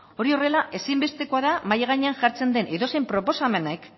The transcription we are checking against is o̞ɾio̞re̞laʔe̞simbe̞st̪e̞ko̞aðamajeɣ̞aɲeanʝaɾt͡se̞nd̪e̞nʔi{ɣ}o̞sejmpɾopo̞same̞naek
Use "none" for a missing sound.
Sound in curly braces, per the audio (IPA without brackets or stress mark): ð